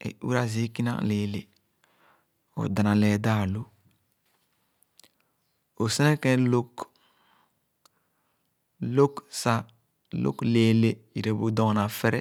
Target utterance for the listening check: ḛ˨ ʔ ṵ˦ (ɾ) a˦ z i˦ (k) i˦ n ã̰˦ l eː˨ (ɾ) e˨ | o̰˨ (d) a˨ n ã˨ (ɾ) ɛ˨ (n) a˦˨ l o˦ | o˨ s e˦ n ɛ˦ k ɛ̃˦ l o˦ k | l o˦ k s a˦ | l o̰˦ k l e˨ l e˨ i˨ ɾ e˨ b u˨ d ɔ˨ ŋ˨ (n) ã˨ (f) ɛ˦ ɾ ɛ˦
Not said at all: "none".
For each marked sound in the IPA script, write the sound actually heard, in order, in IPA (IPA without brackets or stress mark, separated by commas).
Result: ɾ, k, l, d, l, d, n, f